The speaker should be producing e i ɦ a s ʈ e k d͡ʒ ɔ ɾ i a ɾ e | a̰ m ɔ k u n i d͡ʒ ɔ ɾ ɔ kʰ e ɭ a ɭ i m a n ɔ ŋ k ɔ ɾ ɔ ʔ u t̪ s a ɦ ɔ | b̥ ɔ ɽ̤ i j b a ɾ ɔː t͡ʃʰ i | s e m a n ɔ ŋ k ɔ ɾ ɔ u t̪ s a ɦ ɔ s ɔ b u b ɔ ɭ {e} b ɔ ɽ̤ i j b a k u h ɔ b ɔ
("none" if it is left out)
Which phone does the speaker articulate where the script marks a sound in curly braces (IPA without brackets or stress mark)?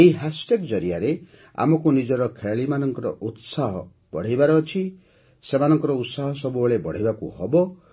e